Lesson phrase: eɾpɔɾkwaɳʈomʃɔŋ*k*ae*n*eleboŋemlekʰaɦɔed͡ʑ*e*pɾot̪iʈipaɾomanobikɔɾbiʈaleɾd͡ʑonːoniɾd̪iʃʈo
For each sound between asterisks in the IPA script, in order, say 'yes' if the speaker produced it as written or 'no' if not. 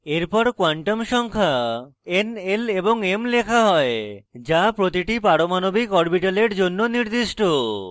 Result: no, yes, no

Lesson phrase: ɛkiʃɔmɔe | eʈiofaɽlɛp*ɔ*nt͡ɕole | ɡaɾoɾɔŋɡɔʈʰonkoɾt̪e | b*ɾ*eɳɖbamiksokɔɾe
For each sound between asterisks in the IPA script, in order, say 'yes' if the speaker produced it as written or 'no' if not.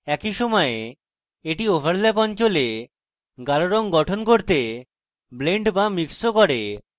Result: yes, no

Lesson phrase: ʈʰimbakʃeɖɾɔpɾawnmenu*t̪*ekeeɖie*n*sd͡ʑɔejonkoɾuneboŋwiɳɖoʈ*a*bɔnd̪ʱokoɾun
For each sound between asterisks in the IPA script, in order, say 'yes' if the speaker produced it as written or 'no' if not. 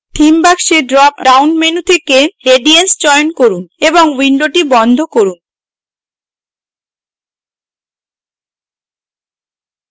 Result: no, yes, no

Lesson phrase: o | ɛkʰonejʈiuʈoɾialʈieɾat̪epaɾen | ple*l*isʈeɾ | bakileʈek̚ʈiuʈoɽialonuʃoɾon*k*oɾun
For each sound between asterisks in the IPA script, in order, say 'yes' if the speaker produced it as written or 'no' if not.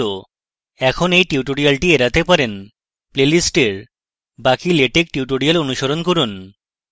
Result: yes, yes

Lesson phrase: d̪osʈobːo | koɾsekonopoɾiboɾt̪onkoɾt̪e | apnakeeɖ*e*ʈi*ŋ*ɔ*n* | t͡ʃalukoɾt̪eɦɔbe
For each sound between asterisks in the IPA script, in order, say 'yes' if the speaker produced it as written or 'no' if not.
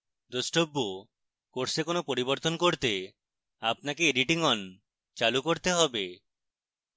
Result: no, yes, yes

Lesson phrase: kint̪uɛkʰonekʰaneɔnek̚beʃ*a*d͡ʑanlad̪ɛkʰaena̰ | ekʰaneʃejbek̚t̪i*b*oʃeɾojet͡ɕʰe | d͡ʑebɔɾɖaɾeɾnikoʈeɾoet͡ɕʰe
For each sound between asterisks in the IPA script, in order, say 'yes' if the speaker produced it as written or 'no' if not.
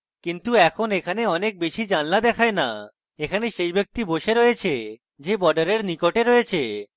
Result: no, yes

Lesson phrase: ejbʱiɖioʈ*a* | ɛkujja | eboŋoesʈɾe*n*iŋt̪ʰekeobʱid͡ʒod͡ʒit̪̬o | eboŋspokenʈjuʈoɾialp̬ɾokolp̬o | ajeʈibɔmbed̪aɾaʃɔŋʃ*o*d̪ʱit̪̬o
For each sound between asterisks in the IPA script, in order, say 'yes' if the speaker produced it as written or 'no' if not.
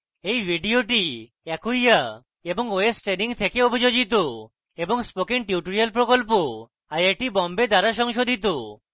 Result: no, yes, yes

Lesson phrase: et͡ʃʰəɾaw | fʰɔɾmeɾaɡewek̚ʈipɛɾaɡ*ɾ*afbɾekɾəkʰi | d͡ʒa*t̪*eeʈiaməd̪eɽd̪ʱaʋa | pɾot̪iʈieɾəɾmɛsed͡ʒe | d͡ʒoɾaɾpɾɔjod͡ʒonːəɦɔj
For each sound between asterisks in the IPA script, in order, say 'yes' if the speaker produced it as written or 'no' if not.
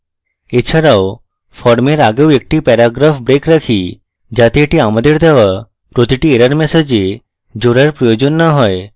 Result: yes, yes

